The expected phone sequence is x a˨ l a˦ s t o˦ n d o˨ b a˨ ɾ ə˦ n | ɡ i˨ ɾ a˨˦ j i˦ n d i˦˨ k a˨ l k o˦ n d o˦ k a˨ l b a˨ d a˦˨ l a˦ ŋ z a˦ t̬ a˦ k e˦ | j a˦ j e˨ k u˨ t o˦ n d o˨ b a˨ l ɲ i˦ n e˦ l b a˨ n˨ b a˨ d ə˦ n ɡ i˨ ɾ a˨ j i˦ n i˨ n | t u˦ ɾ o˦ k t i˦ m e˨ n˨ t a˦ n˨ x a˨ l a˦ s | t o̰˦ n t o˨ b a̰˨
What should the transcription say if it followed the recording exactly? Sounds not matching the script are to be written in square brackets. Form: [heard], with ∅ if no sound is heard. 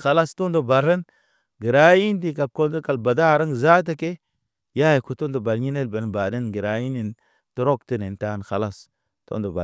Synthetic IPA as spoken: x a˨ l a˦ s t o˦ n d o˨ b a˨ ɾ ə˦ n | ɡ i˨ ɾ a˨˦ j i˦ n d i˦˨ k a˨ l k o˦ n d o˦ k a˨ l b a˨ d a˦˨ [ɾ] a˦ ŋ z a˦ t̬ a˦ k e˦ | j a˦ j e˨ k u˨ t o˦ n d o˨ b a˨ l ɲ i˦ n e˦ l b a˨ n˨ b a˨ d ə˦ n ɡ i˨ ɾ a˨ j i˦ n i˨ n | t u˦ ɾ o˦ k t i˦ [n] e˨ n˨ t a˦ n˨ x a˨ l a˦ s | t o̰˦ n [d] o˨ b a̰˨